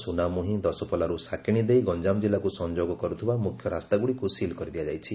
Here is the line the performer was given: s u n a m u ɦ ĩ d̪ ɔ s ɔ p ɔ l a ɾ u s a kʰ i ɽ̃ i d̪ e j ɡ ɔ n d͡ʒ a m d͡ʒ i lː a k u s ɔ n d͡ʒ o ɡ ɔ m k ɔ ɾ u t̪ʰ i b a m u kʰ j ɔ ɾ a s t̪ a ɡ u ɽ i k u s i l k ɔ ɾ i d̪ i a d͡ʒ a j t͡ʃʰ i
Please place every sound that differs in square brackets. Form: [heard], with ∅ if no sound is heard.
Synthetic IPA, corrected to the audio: s u n a m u ɦ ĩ d̪ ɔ s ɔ p ɔ l a ɾ u s a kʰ i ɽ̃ i d̪ e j ɡ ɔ n d͡ʒ a m d͡ʒ i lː a k u s ɔ n d͡ʒ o ɡ ɔ [∅] k ɔ ɾ u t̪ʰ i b a m u kʰ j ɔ ɾ a s t̪ a ɡ u ɽ i k u s i l k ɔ ɾ i d̪ i a d͡ʒ a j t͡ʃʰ i